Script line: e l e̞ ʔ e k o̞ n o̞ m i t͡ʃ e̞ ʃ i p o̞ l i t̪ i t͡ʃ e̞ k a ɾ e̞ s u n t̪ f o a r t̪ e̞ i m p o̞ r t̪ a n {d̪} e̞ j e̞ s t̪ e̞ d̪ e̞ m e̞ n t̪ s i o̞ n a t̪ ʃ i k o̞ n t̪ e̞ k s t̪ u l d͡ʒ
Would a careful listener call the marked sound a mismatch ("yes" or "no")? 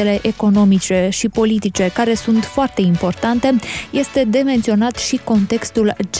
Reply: yes